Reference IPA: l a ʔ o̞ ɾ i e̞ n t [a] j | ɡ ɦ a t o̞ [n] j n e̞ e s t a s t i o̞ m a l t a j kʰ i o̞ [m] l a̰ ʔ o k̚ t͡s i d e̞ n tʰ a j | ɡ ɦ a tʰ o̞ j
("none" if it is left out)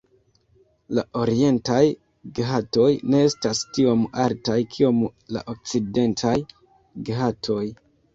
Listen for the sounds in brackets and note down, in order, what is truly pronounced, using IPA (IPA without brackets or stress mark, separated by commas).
a, none, m